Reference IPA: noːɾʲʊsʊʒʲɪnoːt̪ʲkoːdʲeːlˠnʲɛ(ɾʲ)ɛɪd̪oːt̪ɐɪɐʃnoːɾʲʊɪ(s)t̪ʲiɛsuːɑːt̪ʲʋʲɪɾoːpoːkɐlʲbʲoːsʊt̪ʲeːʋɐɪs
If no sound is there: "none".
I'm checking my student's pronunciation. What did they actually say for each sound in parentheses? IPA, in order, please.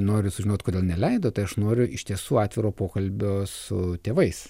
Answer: lʲ, ʃ

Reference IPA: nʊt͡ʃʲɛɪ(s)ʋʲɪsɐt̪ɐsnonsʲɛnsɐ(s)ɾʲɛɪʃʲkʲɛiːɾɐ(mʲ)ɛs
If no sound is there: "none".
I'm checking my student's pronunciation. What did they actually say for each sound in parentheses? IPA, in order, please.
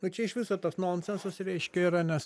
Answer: ʃ, s, nʲ

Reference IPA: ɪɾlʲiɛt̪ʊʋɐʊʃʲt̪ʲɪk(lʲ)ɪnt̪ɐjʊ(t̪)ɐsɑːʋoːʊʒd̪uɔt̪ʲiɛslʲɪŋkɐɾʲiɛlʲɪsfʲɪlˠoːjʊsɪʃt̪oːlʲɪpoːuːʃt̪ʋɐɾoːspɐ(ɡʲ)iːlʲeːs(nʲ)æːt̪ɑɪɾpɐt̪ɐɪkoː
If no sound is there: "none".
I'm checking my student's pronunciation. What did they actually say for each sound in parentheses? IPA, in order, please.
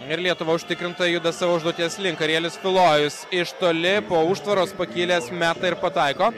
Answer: ɾʲ, d̪, kʲ, mʲ

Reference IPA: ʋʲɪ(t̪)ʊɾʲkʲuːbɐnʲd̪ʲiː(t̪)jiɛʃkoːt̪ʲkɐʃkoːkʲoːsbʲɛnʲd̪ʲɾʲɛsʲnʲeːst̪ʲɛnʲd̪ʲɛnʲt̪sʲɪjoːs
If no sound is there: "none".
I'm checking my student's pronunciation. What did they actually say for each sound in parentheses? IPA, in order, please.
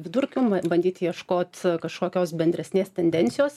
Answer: d̪, t̪

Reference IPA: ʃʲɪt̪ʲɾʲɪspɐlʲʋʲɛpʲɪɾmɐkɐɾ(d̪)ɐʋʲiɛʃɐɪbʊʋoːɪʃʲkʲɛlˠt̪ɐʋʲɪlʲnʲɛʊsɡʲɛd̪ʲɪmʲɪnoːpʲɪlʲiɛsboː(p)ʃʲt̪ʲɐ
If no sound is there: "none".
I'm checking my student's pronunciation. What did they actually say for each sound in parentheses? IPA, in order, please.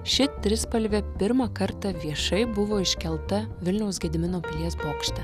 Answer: t̪, k

